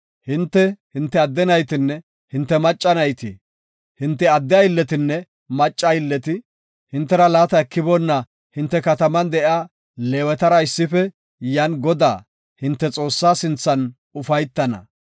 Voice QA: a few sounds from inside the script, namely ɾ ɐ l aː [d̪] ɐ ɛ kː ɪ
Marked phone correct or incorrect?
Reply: incorrect